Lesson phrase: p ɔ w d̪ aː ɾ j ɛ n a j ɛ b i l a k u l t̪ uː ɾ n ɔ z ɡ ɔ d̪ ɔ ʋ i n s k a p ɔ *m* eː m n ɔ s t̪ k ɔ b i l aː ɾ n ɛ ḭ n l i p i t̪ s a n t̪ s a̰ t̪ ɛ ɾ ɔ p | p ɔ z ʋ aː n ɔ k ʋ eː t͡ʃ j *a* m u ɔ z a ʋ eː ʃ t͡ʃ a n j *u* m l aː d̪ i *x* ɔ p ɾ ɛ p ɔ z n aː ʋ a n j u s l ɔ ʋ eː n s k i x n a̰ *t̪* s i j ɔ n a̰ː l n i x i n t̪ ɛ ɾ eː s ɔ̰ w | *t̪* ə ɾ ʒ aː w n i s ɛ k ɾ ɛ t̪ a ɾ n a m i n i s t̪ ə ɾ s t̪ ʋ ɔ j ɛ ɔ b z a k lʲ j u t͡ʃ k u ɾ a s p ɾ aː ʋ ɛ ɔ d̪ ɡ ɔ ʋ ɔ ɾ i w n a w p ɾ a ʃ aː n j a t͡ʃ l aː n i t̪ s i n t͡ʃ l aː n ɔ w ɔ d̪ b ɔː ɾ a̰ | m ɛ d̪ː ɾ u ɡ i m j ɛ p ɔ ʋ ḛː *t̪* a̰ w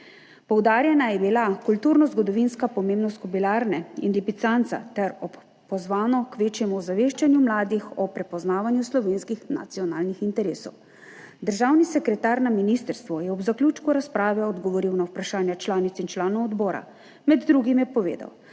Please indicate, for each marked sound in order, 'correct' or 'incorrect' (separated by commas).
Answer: correct, incorrect, correct, correct, correct, incorrect, incorrect